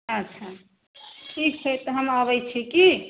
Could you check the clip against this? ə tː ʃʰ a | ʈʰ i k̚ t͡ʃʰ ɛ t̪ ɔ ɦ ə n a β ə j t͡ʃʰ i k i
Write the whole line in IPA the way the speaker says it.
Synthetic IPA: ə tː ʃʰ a | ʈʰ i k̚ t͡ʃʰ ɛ t̪ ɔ ɦ ə m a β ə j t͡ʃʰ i k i

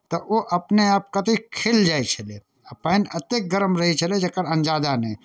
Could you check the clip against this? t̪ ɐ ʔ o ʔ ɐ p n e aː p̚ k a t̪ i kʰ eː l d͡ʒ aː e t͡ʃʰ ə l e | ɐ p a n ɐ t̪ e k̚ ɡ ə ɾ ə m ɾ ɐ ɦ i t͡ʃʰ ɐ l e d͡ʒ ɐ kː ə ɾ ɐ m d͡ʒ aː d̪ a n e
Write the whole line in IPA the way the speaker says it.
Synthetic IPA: t̪ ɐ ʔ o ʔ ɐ p n e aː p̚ k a t̪ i kʰ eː l d͡ʒ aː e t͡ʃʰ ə l e | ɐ p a n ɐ t̪ e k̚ ɡ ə ɾ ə m ɾ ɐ ɦ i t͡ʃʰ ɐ l e d͡ʒ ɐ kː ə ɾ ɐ n d͡ʒ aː d̪ a n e

